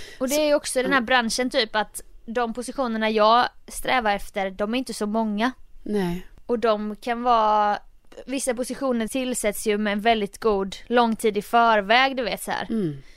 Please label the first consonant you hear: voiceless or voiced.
voiced